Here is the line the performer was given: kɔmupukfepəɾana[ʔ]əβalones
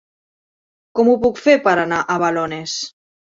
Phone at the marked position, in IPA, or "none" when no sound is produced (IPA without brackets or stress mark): ʔ